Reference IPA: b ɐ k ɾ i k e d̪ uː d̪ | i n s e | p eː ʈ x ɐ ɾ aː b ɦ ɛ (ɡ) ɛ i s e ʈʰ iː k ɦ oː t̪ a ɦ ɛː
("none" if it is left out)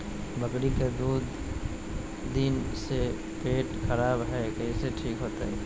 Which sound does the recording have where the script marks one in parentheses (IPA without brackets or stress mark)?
k